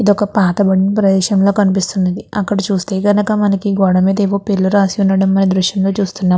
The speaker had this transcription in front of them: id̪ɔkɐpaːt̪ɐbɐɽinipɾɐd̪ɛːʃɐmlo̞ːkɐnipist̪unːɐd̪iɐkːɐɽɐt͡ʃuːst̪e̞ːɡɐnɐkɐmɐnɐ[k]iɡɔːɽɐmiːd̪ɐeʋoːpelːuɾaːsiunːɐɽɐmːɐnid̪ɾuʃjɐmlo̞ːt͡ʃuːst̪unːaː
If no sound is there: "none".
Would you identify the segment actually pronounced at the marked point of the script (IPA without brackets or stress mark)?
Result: k